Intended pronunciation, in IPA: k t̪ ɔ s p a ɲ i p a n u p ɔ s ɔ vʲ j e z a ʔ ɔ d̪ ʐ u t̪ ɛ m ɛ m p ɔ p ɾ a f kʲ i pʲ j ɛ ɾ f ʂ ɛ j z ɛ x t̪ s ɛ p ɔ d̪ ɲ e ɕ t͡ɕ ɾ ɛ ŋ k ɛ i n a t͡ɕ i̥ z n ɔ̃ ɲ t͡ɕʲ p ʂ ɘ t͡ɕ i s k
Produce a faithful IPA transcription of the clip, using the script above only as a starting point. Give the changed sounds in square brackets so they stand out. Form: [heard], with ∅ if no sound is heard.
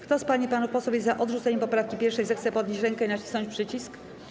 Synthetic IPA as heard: k t̪ ɔ s p a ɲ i p a n u p ɔ s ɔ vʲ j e z a ʔ ɔ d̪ ʐ u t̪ ɛ [ɲ] ɛ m p ɔ p ɾ a f kʲ i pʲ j ɛ ɾ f ʂ ɛ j z ɛ x t̪ s ɛ p ɔ d̪ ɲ e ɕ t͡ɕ ɾ ɛ ŋ k ɛ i n a t͡ɕ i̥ [s] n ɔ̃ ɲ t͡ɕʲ p ʂ ɘ t͡ɕ i s k